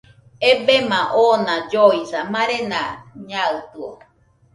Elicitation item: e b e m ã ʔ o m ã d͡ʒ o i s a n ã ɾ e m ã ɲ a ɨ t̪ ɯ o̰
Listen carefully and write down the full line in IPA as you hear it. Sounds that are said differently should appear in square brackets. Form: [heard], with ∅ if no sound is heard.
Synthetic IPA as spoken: e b e m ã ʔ o [n] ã d͡ʒ o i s a [m] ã ɾ e [n] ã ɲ a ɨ t̪ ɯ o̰